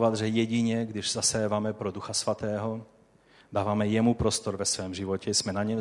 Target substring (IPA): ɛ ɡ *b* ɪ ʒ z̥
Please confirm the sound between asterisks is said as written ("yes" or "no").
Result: no